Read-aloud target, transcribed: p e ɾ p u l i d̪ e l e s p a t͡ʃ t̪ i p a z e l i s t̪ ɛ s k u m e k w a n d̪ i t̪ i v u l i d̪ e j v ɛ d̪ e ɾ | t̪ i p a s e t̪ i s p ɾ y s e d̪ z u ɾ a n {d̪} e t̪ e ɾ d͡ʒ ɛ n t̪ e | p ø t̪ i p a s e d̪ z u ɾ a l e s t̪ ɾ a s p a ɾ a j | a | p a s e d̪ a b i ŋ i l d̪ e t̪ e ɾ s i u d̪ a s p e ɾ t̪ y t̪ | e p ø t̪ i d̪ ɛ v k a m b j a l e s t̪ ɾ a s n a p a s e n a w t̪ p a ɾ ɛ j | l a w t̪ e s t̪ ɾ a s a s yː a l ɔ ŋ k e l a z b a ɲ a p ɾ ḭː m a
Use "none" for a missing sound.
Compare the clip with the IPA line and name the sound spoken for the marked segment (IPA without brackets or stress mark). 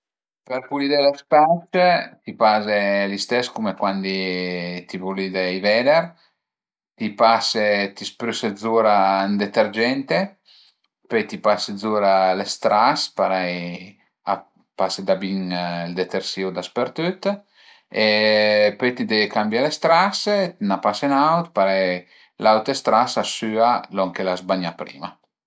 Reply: d̪